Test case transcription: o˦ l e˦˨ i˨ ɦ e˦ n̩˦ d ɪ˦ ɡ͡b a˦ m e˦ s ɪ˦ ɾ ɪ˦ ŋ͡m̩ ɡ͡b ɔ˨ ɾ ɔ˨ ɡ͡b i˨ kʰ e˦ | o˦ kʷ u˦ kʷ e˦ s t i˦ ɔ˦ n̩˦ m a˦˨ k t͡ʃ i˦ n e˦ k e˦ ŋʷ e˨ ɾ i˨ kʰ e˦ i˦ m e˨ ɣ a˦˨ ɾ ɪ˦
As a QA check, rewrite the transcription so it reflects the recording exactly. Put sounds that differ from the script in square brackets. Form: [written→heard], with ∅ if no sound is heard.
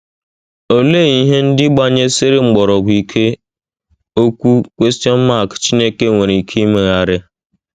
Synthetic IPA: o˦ l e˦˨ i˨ ɦ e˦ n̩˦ d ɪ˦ ɡ͡b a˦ [m→ɲ] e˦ s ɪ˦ ɾ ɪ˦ ŋ͡m̩ ɡ͡b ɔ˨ ɾ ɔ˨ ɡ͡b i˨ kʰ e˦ | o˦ kʷ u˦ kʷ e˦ s t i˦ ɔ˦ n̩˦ m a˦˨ k t͡ʃ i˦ n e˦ k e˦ ŋʷ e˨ ɾ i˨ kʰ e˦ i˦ m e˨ ɣ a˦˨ ɾ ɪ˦